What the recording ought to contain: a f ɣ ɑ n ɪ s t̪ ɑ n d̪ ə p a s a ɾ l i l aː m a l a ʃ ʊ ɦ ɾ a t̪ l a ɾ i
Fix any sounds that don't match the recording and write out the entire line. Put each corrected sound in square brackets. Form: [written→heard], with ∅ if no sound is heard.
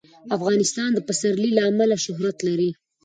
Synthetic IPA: a f ɣ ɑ n ɪ s t̪ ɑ n d̪ ə p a s a ɾ l i l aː m a l a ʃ ʊ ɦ ɾ a t̪ l a ɾ i